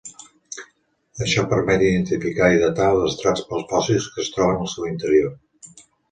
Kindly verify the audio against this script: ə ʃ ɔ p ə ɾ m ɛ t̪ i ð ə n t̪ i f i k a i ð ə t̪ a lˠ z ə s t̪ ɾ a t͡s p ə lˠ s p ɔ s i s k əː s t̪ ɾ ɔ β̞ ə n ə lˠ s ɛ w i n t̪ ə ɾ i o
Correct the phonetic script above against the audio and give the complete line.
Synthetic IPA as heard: ə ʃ ɔ p ə ɾ m ɛ t̪ i ð ə n t̪ i f i k a i ð ə t̪ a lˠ z ə s t̪ ɾ a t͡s p ə lˠ s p ɔ s i s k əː s t̪ ɾ ɔ β̞ ə n ə lˠ s ɛ w i n t̪ ə ɾ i o